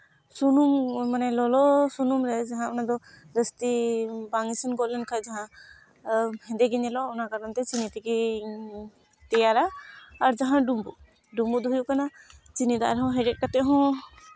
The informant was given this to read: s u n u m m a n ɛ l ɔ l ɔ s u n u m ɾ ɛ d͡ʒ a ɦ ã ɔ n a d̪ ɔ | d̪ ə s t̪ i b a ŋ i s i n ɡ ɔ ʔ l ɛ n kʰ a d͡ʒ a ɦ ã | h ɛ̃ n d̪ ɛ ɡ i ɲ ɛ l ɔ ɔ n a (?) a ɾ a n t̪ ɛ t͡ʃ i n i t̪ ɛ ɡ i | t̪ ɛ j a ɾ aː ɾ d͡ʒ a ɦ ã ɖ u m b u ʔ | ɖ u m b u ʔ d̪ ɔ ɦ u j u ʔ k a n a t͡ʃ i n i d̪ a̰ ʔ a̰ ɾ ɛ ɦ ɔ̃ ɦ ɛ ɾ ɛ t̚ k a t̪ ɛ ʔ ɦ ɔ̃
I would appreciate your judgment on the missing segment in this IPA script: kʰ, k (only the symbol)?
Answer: k